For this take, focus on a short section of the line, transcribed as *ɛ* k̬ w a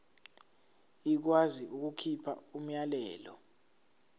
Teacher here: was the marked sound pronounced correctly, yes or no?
no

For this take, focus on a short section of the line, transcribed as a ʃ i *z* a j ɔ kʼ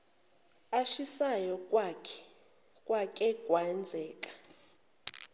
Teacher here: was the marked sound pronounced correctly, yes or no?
no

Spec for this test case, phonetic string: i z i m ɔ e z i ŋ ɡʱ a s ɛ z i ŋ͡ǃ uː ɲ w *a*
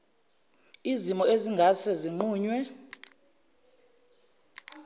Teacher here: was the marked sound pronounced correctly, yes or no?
no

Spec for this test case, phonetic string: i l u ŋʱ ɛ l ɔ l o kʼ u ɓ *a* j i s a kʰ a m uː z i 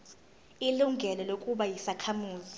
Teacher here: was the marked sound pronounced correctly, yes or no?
yes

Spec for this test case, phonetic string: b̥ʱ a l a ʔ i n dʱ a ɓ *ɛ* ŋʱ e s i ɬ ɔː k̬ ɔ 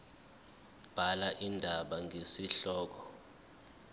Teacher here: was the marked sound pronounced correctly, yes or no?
no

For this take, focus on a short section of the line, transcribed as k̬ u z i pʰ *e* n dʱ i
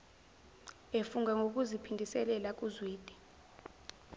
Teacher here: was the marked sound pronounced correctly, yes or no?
no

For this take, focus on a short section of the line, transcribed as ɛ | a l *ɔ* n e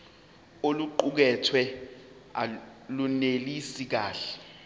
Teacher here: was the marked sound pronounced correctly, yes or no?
no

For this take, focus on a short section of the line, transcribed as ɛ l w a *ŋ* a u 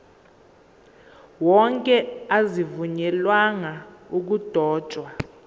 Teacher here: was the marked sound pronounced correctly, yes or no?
yes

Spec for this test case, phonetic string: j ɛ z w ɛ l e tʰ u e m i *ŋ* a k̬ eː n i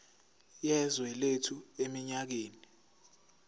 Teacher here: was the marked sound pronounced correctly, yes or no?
no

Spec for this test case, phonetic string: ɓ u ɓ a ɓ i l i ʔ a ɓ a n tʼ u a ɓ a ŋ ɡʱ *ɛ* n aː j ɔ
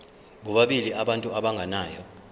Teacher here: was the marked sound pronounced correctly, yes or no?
no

